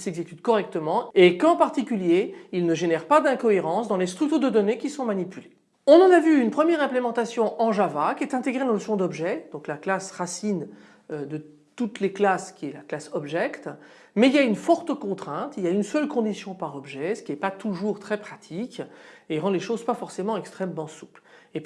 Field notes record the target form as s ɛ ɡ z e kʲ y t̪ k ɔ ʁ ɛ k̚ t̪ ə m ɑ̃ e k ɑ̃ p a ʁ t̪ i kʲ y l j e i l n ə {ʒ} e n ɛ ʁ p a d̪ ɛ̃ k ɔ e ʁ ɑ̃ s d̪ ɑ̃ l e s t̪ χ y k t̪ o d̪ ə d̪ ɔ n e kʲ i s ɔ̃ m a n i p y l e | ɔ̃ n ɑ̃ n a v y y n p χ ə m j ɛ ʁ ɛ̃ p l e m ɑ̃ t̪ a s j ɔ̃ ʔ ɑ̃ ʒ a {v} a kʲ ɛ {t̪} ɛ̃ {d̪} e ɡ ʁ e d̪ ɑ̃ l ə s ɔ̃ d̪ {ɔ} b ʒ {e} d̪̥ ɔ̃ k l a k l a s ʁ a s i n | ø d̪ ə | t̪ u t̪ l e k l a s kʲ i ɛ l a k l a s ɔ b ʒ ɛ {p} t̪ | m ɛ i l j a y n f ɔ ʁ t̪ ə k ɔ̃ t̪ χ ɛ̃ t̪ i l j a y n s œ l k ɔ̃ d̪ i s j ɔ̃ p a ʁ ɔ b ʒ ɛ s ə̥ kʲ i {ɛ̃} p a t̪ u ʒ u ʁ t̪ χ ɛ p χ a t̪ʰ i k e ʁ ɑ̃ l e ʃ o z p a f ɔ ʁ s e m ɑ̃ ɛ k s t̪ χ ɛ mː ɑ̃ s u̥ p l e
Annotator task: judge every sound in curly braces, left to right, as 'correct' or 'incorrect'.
correct, correct, correct, incorrect: t̪, correct, incorrect: ɛ, incorrect: k, incorrect: ɛ

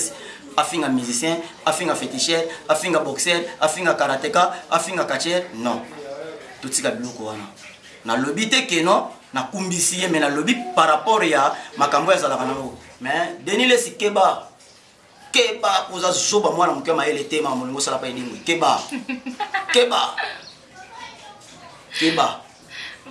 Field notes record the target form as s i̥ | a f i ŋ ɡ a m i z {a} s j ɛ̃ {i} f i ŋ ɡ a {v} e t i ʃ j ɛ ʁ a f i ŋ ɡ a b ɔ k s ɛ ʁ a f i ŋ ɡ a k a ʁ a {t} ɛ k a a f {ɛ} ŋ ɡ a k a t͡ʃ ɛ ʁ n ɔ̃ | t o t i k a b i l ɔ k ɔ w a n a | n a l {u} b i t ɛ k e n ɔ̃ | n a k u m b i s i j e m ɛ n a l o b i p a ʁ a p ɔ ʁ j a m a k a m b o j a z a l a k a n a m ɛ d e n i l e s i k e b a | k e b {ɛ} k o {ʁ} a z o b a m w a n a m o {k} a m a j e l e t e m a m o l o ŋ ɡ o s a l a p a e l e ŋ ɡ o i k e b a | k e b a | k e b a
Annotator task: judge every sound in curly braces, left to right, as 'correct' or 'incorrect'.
incorrect: i, incorrect: a, incorrect: f, correct, incorrect: i, incorrect: o, incorrect: a, incorrect: z, correct

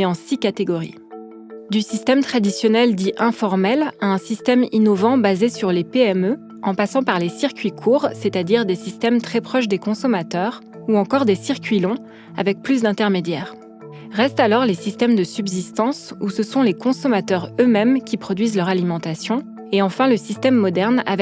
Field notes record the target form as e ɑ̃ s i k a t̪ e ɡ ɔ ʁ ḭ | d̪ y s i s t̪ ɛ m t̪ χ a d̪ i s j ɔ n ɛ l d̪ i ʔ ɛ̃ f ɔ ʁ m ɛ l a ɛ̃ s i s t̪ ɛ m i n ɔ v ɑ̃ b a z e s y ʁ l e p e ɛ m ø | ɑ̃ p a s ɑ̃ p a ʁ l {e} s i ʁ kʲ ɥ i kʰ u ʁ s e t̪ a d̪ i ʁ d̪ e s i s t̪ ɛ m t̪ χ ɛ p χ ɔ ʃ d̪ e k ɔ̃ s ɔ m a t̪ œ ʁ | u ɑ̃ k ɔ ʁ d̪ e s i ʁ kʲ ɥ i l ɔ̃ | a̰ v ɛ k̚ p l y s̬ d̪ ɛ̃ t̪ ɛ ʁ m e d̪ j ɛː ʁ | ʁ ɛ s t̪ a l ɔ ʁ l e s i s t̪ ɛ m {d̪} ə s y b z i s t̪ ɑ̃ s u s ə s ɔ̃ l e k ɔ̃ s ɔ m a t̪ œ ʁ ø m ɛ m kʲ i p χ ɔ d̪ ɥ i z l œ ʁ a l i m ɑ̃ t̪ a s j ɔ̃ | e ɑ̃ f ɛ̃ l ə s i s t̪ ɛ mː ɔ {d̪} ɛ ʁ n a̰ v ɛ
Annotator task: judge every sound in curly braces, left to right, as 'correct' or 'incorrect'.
correct, correct, correct

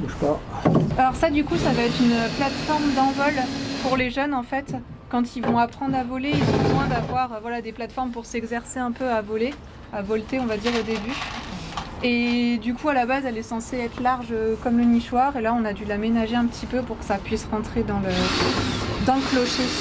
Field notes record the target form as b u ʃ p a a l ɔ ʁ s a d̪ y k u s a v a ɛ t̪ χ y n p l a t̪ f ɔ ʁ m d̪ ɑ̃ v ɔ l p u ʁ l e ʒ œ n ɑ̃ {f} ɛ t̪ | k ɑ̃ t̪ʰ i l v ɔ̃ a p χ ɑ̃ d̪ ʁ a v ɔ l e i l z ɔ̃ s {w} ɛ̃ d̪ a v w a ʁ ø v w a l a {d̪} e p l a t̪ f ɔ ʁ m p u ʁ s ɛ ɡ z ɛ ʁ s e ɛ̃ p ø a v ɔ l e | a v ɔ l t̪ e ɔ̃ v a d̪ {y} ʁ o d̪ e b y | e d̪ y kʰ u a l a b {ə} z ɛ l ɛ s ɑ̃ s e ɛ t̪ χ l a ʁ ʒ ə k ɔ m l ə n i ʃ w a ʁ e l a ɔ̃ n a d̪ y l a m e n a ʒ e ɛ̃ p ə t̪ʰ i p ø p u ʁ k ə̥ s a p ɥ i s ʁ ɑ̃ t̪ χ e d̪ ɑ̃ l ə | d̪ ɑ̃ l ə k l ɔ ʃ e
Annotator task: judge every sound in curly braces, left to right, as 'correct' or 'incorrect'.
correct, correct, correct, incorrect: i, incorrect: a

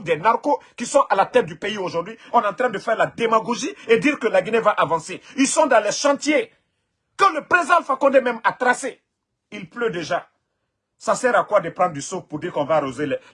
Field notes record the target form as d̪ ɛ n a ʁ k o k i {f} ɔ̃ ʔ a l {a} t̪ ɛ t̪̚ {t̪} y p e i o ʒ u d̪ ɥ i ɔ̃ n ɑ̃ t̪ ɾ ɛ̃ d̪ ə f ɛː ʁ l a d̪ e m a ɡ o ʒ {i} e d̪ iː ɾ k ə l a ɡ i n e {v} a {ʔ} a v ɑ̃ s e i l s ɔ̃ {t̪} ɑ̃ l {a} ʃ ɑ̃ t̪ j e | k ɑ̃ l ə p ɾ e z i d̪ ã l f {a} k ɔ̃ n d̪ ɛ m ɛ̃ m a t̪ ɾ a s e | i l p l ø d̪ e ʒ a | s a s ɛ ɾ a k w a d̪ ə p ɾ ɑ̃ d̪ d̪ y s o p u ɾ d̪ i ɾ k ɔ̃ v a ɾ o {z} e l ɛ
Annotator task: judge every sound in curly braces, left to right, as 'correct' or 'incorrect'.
incorrect: s, correct, incorrect: d̪, correct, correct, correct, incorrect: d̪, incorrect: ɛ, correct, correct

